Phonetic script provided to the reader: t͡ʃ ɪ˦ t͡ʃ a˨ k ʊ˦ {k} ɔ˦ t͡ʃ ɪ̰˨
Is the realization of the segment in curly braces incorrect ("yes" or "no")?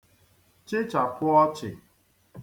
yes